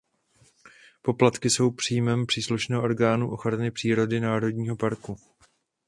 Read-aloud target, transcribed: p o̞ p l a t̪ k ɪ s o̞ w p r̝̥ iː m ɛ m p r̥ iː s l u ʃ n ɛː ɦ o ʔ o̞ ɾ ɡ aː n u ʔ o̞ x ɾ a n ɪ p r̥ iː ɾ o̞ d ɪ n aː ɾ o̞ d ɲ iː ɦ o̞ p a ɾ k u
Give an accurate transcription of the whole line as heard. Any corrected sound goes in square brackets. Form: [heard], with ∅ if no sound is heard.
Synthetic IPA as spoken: p o̞ p l a t̪ k ɪ s o̞ w p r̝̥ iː m ɛ m p r̥ iː s l u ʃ n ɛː ɦ o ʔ o̞ ɾ ɡ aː n u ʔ o̞ x ɾ a n ɪ p r̥ iː ɾ o̞ d ɪ n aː ɾ o̞ d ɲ iː ɦ o̞ p a ɾ k u